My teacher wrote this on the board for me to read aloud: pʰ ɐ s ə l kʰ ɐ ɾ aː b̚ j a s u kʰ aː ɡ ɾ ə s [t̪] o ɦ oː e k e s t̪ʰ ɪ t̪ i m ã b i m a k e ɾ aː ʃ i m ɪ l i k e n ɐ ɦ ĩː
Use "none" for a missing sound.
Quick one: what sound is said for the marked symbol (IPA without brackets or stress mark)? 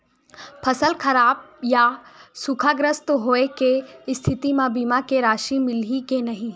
t̪